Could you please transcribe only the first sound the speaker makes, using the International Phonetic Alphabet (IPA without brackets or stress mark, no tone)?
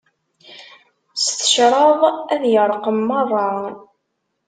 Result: s